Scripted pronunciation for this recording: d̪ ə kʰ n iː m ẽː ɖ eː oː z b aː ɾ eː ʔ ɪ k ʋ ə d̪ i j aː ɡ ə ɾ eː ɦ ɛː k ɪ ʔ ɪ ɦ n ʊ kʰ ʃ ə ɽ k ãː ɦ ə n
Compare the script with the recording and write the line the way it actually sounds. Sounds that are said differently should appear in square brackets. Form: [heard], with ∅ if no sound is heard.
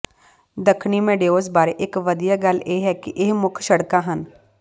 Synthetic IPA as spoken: d̪ ə kʰ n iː m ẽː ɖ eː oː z b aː ɾ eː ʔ ɪ k ʋ ə d̪ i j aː ɡ ə [l] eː ɦ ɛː k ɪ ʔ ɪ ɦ [m] ʊ kʰ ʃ ə ɽ k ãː ɦ ə n